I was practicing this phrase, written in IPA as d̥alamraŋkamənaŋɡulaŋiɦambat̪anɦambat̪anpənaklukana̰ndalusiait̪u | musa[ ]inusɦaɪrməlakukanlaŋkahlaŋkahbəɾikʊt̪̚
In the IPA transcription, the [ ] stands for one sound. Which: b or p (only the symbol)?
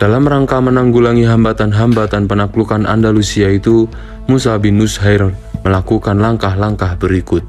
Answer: b